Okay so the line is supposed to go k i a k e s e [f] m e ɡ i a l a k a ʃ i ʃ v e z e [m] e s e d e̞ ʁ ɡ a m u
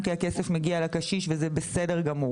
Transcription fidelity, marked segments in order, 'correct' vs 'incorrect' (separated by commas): correct, incorrect